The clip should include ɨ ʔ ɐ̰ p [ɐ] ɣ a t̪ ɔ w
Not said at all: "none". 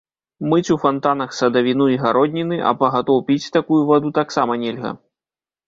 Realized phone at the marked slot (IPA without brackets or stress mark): ɐ